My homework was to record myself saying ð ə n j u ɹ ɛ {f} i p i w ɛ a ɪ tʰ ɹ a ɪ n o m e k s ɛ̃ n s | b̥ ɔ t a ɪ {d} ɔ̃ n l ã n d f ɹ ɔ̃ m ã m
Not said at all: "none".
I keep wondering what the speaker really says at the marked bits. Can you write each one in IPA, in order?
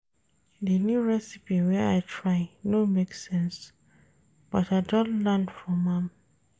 s, d

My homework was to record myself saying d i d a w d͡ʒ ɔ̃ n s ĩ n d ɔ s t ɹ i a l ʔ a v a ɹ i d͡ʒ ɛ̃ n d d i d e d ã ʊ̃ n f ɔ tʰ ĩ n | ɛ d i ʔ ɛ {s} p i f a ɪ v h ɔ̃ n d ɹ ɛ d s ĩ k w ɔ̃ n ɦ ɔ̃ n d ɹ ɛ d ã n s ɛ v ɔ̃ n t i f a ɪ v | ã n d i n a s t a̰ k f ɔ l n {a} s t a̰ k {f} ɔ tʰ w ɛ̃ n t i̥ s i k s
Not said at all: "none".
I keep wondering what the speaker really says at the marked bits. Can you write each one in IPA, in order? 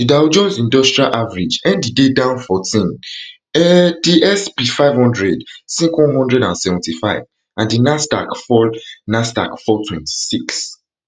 s, a, f

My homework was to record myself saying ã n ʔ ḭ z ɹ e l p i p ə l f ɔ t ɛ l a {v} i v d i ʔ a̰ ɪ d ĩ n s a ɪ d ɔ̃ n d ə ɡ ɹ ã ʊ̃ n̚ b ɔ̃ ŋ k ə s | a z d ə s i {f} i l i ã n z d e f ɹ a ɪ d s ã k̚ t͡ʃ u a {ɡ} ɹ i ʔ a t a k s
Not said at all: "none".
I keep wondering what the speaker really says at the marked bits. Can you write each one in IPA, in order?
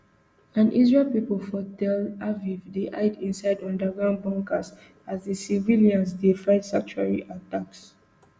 v, v, none

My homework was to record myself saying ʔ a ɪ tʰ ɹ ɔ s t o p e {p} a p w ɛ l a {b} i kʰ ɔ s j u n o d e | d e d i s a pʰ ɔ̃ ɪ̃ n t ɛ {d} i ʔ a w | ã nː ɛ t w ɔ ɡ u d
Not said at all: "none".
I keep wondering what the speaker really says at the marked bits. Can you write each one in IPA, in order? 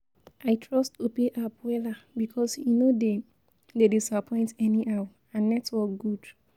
ʔ, b, n

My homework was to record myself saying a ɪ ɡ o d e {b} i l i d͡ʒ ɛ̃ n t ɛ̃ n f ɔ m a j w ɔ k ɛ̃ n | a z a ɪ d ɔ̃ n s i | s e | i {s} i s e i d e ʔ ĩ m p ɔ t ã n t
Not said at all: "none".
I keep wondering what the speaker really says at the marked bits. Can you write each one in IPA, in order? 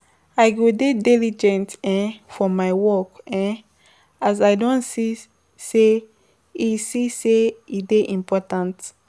d, s

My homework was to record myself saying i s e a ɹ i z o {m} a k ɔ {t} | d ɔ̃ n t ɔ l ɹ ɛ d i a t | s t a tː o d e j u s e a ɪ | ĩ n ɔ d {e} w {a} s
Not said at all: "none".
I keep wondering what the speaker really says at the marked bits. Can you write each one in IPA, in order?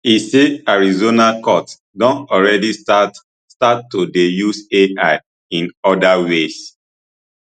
n, t, a, e

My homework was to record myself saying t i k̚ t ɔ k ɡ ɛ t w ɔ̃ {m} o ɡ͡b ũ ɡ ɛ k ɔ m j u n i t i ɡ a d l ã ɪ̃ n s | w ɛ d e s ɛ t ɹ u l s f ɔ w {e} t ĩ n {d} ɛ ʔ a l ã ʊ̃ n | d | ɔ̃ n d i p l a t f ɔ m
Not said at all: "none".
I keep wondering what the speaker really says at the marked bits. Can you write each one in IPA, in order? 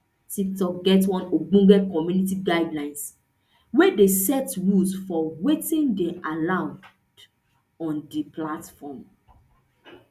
n, e, d

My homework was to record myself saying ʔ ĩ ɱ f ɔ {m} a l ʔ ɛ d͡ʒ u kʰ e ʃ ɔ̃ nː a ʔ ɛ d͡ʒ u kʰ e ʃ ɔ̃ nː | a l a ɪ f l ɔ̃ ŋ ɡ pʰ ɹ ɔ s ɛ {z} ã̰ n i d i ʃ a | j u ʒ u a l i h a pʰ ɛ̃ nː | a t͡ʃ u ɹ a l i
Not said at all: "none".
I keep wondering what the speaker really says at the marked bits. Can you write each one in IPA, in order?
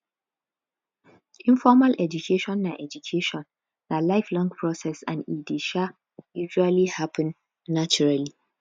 m, s

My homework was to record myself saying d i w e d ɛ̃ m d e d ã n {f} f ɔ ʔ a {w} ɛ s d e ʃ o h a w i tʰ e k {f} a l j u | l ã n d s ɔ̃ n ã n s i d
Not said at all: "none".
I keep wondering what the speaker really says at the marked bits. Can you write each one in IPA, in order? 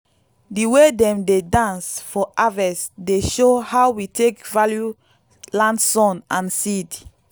s, v, v

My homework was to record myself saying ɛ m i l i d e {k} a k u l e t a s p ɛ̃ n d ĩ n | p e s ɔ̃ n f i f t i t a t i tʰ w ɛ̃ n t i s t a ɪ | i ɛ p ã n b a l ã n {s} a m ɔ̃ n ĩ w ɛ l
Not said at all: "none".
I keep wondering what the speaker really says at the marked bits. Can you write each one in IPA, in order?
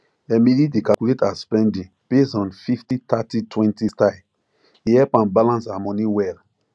k, s

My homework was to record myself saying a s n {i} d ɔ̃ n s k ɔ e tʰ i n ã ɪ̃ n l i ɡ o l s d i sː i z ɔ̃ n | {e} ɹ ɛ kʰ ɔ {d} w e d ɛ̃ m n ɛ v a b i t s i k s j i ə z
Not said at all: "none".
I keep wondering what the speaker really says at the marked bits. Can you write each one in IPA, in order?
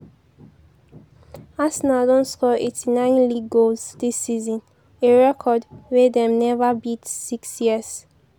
a, e, d

